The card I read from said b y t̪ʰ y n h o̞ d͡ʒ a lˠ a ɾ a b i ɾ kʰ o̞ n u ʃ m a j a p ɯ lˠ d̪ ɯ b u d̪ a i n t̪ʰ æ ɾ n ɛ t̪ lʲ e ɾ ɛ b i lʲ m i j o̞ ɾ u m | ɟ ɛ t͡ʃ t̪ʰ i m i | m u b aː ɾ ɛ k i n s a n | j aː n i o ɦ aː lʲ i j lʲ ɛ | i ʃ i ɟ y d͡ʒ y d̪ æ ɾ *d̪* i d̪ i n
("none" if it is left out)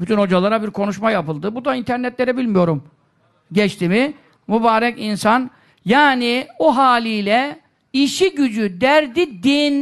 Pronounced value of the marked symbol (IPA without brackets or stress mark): d̪